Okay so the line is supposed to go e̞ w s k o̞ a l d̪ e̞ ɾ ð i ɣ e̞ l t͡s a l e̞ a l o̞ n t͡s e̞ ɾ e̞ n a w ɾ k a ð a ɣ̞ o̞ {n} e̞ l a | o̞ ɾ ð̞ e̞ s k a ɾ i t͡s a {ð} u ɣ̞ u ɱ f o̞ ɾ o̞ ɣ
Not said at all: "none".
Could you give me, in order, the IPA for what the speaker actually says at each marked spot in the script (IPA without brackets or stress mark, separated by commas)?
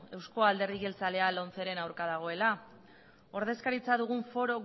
none, ð